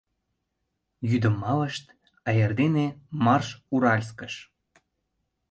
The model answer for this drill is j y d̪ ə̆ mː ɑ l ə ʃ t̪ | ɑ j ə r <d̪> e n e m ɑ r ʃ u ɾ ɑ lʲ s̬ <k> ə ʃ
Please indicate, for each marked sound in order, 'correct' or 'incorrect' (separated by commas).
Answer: correct, correct